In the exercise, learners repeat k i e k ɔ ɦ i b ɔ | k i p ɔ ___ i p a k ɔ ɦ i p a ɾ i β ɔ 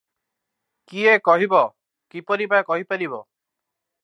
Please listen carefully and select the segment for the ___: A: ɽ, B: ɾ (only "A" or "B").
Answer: B